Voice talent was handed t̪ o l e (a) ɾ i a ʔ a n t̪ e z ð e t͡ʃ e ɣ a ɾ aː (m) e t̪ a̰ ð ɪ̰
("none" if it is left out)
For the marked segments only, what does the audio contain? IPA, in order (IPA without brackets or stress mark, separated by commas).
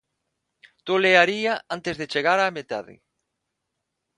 a, m